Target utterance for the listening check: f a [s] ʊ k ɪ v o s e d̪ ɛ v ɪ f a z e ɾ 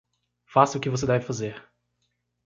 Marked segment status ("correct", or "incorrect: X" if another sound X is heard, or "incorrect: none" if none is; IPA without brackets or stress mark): correct